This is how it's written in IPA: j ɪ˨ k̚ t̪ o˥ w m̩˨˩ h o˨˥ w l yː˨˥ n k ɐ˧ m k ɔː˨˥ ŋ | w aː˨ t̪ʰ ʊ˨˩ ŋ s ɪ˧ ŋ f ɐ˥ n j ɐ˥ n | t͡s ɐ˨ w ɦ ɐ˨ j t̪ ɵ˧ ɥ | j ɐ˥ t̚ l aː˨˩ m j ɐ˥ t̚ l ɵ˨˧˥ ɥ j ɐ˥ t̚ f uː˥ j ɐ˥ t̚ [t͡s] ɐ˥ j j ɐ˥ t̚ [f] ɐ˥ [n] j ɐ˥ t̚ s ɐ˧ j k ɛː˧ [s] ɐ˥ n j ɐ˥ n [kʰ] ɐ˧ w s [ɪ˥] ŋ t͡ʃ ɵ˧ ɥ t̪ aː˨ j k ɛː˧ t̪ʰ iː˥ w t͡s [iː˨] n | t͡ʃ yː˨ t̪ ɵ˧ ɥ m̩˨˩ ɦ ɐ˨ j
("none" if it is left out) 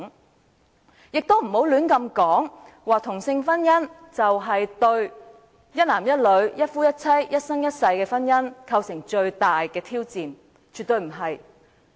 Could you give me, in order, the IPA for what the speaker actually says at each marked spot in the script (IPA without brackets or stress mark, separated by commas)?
t͡sʰ, s, ŋ, f, kʰ, ɪ˨˩, iː˨